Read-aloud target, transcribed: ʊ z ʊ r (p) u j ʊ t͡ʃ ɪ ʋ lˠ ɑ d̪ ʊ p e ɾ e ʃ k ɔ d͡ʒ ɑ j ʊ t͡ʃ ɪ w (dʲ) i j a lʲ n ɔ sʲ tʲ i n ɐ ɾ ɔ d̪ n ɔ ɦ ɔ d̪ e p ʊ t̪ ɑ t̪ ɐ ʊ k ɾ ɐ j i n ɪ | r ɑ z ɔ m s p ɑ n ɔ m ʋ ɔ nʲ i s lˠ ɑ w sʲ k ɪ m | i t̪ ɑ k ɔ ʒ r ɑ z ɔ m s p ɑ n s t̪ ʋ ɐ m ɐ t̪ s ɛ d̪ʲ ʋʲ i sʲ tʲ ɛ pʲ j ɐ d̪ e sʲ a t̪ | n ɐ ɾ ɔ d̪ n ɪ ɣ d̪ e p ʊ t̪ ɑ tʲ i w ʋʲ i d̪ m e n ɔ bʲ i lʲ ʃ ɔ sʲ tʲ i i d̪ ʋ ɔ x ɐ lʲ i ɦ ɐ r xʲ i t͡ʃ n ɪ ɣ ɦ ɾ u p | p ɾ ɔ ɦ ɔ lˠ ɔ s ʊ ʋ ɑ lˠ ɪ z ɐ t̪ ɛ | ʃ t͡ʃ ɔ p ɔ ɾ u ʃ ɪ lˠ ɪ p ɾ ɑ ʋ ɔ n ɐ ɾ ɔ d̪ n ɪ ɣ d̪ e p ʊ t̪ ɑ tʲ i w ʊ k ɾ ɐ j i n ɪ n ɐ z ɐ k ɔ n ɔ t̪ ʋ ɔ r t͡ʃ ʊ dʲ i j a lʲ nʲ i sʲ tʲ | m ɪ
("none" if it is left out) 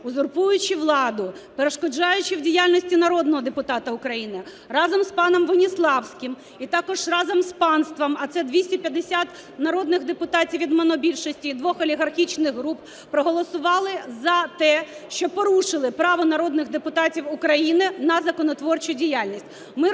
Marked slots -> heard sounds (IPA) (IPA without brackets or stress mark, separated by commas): p, dʲ